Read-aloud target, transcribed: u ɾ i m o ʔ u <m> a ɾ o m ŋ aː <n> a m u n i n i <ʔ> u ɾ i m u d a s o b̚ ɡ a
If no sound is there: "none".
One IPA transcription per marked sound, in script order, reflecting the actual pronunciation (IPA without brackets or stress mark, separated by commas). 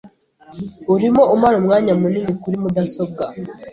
m, ɲ, k